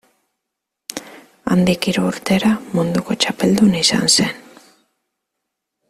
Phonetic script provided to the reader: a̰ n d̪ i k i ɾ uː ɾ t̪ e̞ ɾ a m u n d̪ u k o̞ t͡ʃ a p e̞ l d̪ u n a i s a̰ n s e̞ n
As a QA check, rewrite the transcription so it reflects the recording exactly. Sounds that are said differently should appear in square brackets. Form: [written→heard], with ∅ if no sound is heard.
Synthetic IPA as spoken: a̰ n d̪ i k i ɾ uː ɾ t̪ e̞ ɾ a m u n d̪ u k o̞ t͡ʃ a p e̞ l d̪ u n a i s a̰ n s e̞ n